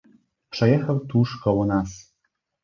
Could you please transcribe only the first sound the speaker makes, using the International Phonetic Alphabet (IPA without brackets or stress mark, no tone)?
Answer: p